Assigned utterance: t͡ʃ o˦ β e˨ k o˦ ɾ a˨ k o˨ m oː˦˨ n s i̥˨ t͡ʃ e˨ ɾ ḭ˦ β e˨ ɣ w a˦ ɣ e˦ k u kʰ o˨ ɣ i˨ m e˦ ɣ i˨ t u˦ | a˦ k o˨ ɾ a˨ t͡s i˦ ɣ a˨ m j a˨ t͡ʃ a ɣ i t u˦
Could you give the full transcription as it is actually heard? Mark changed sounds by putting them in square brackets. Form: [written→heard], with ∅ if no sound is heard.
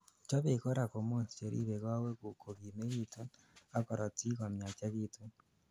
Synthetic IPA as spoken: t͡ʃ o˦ β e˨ k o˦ ɾ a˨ k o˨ m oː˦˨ n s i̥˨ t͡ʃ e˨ ɾ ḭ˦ β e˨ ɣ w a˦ [ɣ→w] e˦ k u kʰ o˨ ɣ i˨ m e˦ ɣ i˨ t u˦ | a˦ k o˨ ɾ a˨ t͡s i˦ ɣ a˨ m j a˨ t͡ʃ a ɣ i t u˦